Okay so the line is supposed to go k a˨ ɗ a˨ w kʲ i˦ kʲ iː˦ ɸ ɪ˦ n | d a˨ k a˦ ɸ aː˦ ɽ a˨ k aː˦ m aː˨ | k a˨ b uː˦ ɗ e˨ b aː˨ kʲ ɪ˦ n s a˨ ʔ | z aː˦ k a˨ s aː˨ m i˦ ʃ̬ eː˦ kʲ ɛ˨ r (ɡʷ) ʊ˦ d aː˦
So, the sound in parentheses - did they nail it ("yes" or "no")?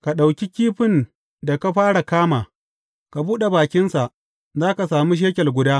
yes